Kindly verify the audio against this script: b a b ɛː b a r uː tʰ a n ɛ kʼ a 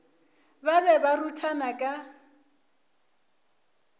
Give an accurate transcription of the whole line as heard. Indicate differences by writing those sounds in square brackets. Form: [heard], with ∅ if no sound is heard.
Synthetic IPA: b a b [ɛ] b a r [u] tʰ a n [a] kʼ a